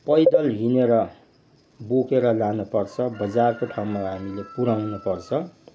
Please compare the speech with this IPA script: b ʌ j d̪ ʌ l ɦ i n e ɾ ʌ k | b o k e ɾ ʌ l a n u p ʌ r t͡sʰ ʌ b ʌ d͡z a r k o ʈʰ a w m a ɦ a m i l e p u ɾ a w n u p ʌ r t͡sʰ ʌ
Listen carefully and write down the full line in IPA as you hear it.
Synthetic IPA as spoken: p ʌ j d̪ ʌ l ɦ i n e ɾ ʌ | b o k e ɾ ʌ l a n u p ʌ r t͡sʰ ʌ b ʌ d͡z a r k o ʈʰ a w m a ɦ a m i l e p u ɾ a w n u p ʌ r t͡sʰ ʌ